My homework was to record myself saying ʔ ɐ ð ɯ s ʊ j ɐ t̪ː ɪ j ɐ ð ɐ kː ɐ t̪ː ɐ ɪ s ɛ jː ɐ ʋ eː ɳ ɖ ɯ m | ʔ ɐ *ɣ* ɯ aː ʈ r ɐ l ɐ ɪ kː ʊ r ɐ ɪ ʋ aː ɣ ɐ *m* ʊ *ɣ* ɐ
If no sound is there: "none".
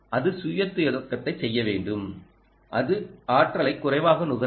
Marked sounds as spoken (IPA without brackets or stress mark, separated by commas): ð, n, ɣ